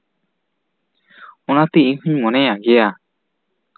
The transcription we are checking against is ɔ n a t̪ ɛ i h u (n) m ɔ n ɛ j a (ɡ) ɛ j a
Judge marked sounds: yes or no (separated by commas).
no, yes